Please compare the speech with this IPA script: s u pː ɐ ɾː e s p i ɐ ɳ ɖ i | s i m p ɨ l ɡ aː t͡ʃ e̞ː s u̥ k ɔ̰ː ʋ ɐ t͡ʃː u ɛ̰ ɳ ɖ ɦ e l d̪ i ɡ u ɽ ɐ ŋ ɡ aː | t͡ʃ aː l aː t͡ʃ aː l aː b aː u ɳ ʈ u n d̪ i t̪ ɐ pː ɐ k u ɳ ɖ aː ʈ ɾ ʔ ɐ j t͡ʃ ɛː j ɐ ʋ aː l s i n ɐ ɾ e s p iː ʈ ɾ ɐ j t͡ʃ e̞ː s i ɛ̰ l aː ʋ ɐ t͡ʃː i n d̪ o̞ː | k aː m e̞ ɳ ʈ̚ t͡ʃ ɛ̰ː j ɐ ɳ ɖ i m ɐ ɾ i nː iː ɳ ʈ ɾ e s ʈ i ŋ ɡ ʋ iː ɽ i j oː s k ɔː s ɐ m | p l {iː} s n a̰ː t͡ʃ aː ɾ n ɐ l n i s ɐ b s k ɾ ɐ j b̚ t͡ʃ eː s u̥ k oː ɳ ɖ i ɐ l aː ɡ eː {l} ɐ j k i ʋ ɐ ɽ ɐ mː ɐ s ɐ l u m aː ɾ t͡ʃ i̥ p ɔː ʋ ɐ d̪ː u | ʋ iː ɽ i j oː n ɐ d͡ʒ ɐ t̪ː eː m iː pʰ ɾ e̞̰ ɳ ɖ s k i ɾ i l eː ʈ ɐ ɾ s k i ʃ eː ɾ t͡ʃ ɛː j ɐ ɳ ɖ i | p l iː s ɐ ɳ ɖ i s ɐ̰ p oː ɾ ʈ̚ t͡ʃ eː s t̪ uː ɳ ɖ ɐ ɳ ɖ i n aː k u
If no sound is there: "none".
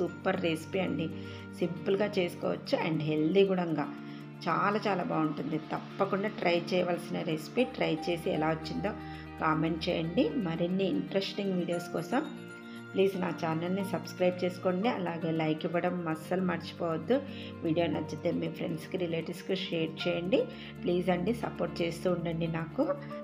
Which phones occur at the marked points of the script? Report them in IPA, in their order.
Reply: iː, l

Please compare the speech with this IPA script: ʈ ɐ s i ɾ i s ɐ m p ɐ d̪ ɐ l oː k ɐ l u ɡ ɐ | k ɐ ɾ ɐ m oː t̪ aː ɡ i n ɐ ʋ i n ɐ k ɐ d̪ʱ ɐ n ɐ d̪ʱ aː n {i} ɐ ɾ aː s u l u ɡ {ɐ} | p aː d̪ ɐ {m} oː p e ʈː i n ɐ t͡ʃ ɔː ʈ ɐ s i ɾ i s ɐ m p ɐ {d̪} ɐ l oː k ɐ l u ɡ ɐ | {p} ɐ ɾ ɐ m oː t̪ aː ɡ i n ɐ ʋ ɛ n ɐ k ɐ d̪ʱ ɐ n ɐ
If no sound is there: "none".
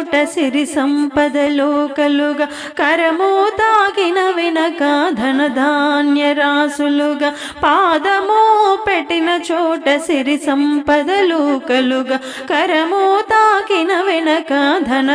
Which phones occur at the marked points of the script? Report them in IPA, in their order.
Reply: j, ɐ, m, d̪, k

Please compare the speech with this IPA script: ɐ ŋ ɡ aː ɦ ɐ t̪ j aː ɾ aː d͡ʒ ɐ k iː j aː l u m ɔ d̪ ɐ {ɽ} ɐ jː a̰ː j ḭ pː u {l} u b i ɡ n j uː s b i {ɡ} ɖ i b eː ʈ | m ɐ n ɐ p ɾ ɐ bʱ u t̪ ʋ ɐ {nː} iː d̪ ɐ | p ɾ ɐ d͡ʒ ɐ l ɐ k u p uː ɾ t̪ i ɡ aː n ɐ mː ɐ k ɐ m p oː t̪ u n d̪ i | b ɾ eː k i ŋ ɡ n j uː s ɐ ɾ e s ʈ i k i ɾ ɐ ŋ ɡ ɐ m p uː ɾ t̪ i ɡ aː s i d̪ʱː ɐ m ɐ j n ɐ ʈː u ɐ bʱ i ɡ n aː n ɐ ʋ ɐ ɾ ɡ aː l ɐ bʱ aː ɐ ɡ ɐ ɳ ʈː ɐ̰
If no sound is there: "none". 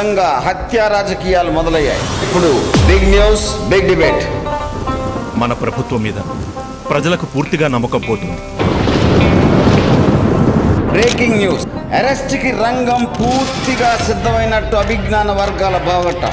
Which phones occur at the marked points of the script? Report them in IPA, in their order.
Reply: l, ɽ, ɡ, mː

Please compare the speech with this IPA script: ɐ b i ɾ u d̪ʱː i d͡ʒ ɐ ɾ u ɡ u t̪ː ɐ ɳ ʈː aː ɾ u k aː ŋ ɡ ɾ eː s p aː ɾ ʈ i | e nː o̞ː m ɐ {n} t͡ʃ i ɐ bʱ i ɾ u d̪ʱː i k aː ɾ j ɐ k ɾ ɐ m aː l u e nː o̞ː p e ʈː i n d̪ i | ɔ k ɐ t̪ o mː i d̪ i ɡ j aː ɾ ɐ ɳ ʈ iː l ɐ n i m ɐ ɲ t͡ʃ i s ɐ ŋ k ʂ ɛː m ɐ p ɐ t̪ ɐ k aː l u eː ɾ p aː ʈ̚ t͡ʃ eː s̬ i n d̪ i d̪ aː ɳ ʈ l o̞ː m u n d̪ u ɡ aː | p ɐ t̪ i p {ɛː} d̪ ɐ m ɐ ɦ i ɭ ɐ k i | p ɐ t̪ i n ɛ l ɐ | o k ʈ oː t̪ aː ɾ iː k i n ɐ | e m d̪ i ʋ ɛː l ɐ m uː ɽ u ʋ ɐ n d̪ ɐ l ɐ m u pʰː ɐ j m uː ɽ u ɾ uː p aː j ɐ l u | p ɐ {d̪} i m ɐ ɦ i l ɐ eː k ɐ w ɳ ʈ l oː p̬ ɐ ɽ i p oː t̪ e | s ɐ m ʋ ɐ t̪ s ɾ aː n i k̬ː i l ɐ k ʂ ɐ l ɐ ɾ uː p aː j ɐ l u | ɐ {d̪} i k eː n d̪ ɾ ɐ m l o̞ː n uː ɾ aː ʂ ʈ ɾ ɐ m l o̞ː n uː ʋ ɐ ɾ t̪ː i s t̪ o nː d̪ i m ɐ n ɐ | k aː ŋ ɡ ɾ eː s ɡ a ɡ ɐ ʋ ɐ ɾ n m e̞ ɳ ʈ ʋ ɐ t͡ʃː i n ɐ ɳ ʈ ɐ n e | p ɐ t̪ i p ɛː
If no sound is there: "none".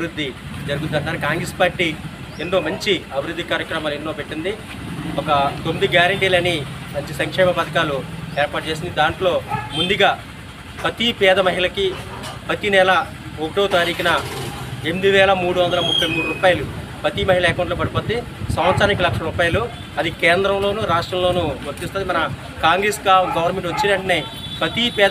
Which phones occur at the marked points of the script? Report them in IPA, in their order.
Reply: ɲ, ɛː, t̪, d̪

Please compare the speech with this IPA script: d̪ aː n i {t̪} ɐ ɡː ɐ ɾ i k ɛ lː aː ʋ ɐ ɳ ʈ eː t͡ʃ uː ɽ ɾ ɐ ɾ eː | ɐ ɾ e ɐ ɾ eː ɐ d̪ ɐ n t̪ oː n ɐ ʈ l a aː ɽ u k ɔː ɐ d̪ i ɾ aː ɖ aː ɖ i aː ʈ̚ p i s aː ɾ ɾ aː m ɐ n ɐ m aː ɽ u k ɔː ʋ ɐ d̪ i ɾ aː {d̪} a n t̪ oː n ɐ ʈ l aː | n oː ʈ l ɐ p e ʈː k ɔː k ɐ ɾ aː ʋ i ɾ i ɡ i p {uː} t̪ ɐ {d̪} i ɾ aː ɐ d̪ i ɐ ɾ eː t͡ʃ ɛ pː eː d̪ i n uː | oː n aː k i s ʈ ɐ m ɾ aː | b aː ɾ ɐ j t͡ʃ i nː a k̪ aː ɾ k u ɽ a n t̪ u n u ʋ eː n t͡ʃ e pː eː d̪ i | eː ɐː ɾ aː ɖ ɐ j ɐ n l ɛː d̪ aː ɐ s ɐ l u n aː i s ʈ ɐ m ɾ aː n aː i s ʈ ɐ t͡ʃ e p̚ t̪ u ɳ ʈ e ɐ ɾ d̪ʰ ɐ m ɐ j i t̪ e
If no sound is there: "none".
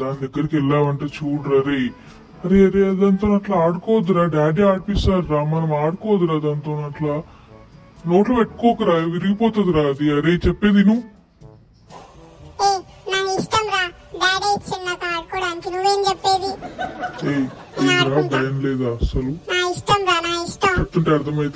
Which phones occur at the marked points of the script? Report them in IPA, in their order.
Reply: d̪, d̪, ɔː, d̪

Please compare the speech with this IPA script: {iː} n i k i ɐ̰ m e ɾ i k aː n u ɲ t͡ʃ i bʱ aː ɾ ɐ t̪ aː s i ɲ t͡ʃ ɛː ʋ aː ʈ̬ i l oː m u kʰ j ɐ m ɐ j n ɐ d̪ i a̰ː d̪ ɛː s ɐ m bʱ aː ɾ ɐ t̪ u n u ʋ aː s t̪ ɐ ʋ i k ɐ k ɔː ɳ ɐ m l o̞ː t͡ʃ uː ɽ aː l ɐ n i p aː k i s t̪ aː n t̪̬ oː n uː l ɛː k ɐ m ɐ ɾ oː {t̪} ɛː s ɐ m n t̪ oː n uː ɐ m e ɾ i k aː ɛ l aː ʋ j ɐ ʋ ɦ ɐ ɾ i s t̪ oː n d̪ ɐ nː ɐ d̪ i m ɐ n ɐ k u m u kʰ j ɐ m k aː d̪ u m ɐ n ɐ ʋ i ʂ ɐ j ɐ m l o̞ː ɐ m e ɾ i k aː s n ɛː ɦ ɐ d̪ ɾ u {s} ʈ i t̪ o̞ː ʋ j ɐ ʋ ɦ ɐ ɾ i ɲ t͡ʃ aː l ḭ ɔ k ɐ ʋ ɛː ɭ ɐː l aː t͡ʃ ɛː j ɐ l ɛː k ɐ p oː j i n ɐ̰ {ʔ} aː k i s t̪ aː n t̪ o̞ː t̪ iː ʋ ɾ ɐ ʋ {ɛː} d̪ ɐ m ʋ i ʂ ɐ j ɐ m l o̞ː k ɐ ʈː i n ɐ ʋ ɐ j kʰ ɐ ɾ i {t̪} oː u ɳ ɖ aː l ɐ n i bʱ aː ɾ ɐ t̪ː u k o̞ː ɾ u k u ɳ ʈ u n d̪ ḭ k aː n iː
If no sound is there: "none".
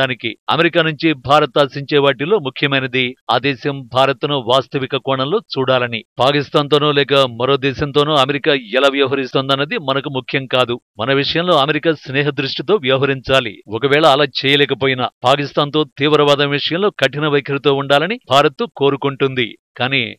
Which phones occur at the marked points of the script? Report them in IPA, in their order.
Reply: aː, d̪, ʂ, p, aː, t̪

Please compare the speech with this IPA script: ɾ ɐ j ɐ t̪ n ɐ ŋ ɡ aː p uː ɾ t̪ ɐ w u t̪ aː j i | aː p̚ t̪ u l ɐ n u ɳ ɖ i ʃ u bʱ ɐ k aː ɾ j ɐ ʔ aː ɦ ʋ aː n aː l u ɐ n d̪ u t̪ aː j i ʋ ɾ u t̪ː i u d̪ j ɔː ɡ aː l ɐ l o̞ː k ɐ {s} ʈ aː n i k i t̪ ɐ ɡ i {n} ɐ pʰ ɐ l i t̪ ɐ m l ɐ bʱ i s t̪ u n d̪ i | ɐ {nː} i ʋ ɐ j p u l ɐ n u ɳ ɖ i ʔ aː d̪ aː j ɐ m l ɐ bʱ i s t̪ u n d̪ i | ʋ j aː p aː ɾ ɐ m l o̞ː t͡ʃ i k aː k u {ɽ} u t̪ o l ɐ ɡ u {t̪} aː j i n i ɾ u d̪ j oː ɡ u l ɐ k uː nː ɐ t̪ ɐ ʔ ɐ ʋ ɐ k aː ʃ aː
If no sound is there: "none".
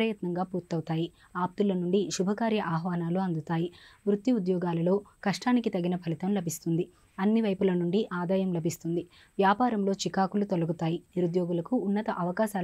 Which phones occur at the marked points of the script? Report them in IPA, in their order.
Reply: ʂ, n, nː, l, t̪

